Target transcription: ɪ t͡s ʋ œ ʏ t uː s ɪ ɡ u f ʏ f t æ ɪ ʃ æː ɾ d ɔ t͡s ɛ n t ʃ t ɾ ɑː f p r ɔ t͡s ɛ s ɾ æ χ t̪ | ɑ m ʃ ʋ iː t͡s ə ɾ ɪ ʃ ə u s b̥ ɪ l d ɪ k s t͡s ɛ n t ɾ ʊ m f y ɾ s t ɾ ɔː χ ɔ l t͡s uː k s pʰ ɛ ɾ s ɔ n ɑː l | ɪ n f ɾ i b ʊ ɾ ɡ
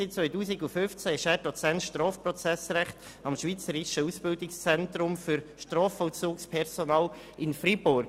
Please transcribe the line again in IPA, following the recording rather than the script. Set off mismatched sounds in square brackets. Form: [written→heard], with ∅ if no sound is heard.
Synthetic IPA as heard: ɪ t͡s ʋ œ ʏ t uː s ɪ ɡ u f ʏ f [t→t͡s] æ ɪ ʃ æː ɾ d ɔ t͡s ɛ n t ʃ t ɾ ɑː f p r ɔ t͡s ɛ s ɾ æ χ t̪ | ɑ m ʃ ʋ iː t͡s ə ɾ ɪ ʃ ə u s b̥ ɪ l d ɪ k s t͡s ɛ n t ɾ ʊ m f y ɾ [s→ʃ] t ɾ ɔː [χ→f] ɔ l t͡s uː k s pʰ ɛ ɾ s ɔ n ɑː l | ɪ n f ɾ i b ʊ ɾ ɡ